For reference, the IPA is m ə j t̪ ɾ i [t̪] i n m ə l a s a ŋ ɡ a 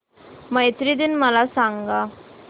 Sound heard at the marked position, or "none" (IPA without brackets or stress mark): d̪